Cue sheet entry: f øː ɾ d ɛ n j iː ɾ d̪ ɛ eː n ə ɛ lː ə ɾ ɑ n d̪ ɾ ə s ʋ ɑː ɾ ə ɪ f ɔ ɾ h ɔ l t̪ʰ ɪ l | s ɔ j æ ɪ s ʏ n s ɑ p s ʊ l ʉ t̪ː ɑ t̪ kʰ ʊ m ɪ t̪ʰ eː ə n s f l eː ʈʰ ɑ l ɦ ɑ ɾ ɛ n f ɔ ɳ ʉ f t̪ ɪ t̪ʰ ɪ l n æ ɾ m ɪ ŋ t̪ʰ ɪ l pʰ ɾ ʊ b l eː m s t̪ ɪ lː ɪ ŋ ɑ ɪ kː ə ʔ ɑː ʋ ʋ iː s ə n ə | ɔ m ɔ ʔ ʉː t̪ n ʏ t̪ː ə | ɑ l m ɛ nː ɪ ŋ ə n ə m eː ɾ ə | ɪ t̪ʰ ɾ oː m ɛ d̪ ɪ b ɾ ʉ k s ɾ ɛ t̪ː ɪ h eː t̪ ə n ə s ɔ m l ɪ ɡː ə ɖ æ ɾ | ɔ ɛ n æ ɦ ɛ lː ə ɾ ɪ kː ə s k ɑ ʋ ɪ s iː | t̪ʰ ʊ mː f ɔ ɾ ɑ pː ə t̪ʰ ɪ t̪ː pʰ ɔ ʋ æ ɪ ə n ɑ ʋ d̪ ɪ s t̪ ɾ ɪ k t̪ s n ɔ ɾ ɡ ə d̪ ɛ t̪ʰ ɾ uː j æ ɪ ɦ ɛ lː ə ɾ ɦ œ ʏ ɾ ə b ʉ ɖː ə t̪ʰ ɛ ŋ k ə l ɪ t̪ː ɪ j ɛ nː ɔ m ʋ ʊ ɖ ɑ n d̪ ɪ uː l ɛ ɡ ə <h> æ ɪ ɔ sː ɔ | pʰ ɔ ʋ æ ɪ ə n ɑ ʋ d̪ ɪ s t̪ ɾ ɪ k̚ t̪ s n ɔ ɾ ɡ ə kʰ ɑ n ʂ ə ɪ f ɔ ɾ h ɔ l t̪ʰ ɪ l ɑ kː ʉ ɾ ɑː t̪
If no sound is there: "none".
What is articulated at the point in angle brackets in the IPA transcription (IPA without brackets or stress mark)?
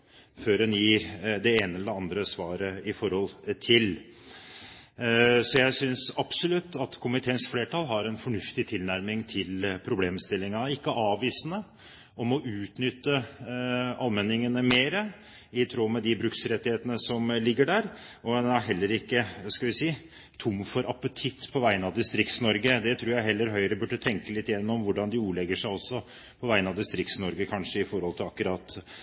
ʂ